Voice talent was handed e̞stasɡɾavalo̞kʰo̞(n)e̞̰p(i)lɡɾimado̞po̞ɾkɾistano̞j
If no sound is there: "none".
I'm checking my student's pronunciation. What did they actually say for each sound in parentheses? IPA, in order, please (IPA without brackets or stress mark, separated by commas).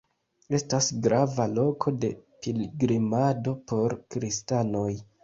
d, i